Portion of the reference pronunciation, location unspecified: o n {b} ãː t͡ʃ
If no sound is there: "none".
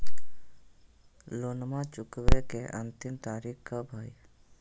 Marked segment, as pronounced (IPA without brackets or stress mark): m